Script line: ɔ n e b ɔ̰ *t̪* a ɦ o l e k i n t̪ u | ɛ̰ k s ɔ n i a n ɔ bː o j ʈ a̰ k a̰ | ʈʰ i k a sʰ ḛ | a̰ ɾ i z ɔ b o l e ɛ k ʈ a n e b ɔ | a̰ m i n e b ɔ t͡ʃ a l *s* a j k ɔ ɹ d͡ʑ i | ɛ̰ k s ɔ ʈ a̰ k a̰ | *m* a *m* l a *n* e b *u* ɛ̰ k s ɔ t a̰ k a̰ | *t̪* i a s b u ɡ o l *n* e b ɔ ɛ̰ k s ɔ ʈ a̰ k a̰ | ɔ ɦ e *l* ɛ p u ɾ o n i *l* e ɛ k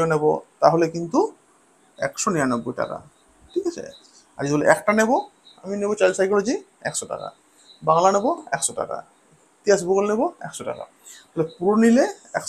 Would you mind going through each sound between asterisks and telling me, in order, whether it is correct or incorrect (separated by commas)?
correct, correct, incorrect, incorrect, correct, incorrect, correct, correct, correct, correct